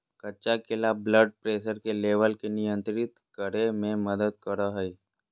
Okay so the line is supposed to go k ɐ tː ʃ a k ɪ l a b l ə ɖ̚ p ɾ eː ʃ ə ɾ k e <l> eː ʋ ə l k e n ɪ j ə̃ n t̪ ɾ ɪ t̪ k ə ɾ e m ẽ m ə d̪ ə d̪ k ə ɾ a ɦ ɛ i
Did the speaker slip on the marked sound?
no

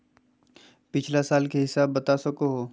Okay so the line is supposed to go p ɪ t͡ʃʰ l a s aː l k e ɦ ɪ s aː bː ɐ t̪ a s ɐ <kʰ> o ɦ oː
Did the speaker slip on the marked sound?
yes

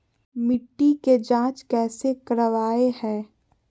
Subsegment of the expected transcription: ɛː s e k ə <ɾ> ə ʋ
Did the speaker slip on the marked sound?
no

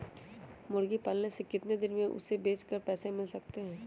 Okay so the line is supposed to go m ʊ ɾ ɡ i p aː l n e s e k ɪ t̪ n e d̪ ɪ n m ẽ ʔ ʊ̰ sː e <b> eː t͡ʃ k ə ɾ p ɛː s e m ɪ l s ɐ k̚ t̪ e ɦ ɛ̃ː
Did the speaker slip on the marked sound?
no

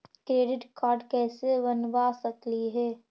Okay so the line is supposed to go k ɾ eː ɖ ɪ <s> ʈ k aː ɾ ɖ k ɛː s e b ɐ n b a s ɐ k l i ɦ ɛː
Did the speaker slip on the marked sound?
yes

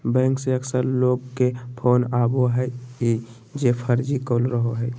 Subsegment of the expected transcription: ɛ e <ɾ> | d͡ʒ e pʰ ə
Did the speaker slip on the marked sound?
yes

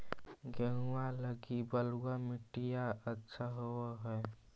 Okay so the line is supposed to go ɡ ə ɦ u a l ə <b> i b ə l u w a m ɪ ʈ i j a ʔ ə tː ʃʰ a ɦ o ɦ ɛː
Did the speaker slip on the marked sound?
yes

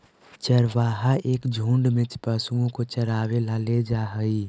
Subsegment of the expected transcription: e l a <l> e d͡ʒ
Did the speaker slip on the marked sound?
no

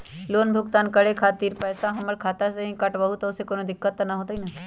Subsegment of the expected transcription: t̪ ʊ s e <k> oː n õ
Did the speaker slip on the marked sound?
no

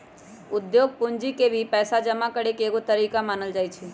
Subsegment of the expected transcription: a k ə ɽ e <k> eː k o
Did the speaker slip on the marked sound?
no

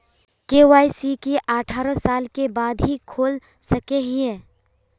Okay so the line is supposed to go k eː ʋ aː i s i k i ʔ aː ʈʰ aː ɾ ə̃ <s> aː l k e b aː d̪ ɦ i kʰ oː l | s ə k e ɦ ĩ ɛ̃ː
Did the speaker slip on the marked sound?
no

